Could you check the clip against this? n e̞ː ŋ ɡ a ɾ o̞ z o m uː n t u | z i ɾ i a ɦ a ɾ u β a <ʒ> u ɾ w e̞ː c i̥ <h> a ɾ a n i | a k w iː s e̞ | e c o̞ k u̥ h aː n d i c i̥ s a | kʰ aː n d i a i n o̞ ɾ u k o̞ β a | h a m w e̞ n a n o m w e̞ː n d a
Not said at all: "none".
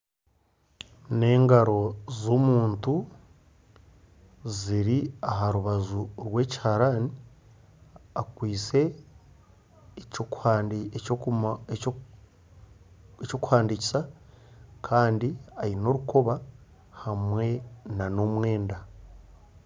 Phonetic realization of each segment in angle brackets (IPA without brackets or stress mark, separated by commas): z, h